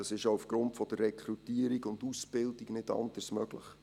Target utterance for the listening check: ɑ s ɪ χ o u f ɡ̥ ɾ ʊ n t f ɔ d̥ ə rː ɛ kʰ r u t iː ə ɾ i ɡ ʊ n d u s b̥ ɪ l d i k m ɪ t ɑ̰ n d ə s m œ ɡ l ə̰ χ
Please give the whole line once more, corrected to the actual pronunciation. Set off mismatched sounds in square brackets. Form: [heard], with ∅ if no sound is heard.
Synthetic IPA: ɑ s ɪ [ʃ] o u f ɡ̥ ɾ ʊ n t f ɔ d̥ ə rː ɛ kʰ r u t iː ə ɾ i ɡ ʊ n d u s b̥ ɪ l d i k [n] ɪ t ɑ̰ n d ə s m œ ɡ l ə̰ χ